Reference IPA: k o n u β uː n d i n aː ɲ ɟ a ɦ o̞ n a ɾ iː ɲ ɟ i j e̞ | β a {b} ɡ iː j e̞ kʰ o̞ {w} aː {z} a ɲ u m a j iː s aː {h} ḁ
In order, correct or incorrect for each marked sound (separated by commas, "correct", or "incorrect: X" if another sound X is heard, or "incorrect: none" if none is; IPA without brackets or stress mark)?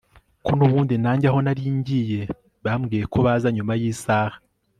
incorrect: m, incorrect: β, correct, correct